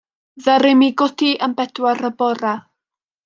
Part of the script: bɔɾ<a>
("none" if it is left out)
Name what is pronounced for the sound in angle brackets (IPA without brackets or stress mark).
a